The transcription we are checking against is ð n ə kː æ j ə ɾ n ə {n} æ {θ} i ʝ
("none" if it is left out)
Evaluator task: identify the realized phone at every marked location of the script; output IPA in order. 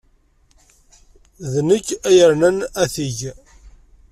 n, θ

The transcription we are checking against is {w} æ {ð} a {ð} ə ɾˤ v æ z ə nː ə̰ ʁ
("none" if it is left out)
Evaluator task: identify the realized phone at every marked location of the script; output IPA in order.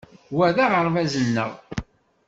w, ð, ʁ

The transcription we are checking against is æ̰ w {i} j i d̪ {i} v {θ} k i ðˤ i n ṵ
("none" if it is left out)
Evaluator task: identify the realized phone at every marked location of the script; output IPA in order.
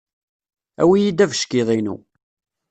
i, æ, ʃ

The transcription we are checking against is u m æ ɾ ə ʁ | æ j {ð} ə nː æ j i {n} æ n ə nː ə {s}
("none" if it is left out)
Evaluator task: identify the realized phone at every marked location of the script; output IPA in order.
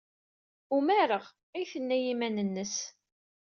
θ, m, s

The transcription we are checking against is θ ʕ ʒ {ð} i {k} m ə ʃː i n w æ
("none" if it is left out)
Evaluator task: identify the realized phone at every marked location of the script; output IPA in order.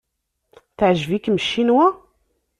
v, k

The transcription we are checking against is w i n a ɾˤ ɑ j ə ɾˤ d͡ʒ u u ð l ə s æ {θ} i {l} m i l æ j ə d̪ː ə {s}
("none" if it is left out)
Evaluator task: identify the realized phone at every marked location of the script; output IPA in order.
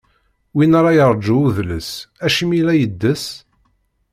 ʃ, none, s

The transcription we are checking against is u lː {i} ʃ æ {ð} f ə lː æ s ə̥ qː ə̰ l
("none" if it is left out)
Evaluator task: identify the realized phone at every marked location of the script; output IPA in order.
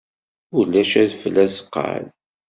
æ, ð

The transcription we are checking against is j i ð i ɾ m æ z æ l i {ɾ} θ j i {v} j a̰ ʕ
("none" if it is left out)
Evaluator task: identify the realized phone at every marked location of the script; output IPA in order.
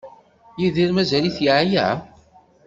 none, ʕ

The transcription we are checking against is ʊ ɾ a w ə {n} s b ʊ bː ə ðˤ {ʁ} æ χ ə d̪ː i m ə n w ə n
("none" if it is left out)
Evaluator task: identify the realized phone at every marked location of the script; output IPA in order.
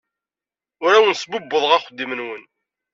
n, ʁ

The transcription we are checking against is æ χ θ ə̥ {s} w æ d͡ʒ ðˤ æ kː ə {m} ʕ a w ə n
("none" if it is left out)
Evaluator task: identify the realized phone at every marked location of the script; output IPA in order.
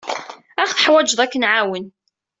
ħ, n

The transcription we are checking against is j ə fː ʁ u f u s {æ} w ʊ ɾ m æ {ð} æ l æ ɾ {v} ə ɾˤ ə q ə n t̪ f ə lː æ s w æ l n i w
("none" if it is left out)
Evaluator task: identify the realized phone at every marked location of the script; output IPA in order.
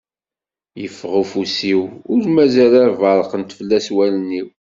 i, z, v

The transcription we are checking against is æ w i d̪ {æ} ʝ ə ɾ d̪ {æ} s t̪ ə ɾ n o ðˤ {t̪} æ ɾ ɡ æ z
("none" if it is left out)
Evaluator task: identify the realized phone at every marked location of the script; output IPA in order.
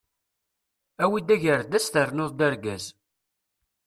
æ, æ, d̪

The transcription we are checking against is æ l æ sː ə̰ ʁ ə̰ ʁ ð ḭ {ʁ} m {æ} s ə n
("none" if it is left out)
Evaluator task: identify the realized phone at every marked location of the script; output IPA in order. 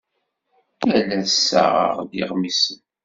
ʁ, i

